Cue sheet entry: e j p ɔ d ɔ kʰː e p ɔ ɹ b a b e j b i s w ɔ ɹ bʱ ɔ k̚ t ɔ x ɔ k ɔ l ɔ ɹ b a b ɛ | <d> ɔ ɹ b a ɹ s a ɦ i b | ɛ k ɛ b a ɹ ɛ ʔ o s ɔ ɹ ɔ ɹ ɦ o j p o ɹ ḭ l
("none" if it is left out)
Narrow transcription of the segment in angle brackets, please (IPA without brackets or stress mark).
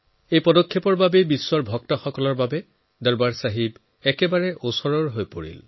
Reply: d